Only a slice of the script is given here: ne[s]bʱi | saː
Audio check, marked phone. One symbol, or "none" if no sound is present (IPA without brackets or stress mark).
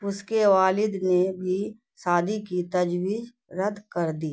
none